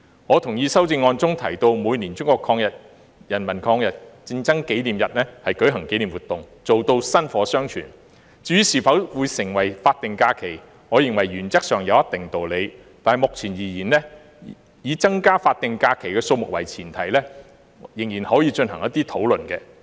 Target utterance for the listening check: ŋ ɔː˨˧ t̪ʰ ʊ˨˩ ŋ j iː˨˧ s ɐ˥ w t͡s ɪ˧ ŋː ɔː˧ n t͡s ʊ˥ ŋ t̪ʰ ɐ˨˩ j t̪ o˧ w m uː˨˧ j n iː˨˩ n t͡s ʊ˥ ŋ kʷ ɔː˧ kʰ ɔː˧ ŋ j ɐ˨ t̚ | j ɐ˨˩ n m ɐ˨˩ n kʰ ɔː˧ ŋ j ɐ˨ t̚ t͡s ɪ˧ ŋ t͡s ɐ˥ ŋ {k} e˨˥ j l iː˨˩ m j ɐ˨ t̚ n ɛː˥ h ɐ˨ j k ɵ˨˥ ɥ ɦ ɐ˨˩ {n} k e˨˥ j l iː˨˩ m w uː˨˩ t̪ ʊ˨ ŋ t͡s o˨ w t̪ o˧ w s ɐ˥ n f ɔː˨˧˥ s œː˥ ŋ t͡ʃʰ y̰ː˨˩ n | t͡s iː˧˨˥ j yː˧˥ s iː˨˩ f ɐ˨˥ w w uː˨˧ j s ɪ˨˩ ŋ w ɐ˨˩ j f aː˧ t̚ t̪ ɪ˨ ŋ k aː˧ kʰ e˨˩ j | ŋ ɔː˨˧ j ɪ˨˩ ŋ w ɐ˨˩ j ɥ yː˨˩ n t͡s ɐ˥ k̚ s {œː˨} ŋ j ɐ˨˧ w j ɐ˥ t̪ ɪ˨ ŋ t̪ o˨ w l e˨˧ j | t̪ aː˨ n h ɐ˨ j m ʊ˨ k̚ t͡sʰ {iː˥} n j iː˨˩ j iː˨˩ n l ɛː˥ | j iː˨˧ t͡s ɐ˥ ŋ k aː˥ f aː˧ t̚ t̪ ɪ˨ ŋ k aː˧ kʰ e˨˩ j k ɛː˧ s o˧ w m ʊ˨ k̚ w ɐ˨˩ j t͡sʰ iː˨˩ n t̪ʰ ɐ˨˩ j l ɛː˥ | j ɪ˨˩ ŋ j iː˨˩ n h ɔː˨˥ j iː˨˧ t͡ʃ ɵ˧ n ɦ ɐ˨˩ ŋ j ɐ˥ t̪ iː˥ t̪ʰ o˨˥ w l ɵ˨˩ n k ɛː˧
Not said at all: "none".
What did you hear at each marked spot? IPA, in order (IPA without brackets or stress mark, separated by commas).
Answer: k, ŋ, œː˨, iː˨˩